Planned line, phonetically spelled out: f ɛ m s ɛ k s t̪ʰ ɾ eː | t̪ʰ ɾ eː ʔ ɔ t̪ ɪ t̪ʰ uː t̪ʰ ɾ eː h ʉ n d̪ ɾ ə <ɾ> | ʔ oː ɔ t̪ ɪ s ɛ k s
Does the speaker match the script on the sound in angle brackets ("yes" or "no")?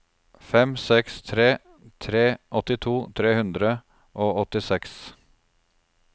no